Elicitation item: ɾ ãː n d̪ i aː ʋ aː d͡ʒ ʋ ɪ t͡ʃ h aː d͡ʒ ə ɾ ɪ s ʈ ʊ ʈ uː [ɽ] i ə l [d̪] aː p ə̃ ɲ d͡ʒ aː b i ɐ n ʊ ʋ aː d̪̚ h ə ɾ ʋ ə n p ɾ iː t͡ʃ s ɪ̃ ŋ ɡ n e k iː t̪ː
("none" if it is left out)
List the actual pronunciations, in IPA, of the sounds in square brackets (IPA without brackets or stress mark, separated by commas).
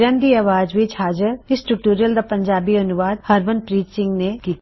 ɾ, d̪